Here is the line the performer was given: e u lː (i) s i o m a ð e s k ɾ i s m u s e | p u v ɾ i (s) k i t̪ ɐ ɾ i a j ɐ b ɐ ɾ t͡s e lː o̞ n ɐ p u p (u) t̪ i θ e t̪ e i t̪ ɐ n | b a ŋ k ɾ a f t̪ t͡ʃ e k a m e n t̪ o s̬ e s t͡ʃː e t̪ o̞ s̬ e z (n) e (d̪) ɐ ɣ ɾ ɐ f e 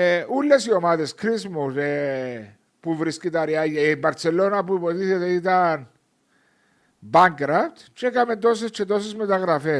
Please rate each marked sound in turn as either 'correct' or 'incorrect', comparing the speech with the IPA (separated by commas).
incorrect, correct, incorrect, incorrect, incorrect